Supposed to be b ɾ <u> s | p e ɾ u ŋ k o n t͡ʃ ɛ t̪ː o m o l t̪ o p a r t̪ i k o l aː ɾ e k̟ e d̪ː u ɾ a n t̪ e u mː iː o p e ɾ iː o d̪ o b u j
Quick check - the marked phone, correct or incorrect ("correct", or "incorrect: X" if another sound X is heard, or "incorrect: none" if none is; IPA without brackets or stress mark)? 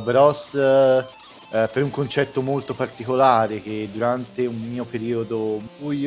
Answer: incorrect: ɔ